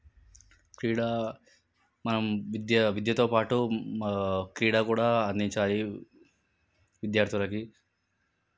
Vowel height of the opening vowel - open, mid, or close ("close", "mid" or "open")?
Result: close